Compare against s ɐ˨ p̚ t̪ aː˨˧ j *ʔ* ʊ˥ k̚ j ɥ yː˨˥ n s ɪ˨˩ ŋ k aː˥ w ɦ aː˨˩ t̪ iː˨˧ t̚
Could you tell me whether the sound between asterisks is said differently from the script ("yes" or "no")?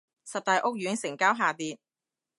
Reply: no